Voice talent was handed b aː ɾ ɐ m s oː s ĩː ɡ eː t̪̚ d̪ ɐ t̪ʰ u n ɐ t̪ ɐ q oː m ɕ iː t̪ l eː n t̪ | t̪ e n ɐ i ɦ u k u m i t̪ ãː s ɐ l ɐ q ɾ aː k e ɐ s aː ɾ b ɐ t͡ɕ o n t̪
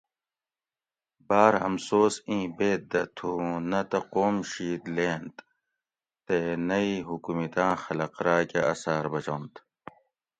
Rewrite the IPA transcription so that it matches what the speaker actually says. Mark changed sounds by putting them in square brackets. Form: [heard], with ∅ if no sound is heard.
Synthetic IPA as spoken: b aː ɾ ɐ m s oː s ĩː [b] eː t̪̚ d̪ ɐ t̪ʰ u n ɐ t̪ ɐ q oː m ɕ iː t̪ l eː n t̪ | t̪ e n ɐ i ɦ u k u m i t̪ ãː [x] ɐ l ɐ q ɾ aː k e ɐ s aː ɾ b ɐ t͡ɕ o n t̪